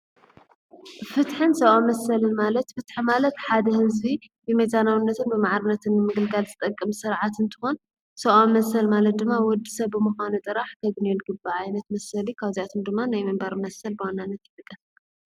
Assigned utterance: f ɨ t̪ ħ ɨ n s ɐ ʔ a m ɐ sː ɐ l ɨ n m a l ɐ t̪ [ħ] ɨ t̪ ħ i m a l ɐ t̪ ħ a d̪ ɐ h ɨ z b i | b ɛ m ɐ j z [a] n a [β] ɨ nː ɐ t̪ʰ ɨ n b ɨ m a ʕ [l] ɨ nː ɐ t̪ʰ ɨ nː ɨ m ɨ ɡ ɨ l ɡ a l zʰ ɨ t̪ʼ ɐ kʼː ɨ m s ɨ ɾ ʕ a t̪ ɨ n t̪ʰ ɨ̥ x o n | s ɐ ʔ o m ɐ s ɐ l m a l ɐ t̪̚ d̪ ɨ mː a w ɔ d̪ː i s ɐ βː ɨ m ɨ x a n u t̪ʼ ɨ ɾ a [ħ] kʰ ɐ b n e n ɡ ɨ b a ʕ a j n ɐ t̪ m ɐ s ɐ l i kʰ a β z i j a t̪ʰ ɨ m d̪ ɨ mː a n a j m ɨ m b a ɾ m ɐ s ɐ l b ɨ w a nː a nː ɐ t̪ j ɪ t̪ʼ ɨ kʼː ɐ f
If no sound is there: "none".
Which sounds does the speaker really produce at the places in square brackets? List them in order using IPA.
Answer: f, a, w, ɾ, ħ

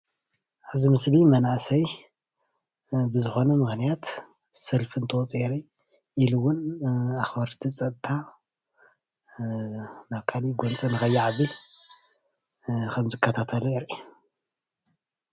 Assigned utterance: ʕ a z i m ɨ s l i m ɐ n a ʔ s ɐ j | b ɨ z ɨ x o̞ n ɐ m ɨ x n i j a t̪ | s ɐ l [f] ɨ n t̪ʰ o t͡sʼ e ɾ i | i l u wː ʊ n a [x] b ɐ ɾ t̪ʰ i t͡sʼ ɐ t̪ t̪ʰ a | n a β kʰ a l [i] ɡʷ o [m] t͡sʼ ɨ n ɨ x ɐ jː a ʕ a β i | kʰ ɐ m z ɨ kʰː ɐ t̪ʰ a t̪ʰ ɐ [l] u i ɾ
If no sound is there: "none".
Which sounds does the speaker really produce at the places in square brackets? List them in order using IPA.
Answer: f, x, i, n, l

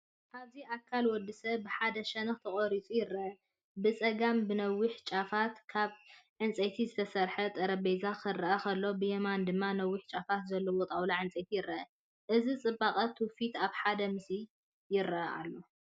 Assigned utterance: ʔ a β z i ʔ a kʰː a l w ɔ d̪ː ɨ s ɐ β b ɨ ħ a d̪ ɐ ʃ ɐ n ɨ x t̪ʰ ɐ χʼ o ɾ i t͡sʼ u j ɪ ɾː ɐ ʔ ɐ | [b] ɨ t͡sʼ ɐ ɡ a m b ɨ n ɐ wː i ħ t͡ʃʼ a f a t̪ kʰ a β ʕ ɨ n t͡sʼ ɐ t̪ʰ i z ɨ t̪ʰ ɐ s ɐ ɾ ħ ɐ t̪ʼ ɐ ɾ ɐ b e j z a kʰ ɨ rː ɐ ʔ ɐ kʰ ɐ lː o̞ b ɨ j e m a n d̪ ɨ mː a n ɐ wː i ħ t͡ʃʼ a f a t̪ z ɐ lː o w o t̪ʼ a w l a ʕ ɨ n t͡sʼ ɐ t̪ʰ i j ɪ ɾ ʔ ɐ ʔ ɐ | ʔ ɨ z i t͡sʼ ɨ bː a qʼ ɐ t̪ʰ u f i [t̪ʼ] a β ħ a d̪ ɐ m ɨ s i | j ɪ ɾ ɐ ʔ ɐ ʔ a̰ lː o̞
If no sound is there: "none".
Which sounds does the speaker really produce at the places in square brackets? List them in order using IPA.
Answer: b, t̪

